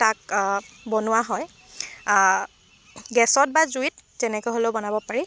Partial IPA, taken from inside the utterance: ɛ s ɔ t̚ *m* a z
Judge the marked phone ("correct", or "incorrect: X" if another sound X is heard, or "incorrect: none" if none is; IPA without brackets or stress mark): incorrect: b